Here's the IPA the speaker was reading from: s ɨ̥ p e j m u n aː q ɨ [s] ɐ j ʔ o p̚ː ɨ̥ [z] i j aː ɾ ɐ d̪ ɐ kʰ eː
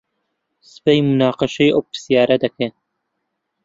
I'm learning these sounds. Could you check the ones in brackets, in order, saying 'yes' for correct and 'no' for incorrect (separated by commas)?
no, no